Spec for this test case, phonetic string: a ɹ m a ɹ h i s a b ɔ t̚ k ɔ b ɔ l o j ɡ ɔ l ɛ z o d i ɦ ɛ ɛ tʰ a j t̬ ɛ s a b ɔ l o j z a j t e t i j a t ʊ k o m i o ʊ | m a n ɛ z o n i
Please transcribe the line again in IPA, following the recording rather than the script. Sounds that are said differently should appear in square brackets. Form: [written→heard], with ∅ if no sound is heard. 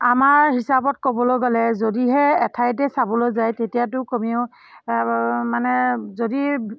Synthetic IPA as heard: a [ɹ→∅] m a ɹ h i s a b ɔ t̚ k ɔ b ɔ l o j ɡ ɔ l ɛ z o d i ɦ ɛ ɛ tʰ a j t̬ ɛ s a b ɔ l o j z a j t e t i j a t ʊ k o m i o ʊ | m a n ɛ z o [n→d] i